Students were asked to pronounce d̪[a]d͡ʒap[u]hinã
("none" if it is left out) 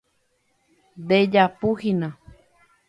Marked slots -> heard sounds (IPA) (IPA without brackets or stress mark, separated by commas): e, u